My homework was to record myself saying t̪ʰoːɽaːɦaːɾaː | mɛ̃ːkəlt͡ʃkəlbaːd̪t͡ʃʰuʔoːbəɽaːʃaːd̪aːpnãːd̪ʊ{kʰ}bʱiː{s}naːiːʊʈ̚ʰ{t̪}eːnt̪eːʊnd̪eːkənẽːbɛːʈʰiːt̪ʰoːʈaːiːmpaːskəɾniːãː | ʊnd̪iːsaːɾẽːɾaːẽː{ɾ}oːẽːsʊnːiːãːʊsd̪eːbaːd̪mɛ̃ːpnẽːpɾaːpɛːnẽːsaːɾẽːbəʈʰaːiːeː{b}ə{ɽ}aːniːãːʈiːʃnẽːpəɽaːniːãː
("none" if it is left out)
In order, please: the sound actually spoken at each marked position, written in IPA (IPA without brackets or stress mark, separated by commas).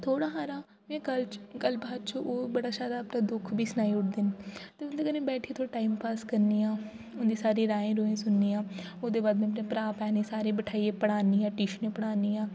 kʰ, s, d̪, ɾ, p, ɽ